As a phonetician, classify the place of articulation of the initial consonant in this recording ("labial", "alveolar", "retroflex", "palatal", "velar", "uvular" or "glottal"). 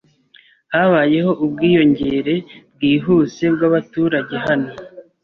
glottal